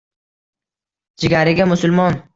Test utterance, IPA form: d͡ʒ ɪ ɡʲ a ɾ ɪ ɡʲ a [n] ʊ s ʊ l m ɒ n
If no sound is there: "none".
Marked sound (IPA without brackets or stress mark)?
m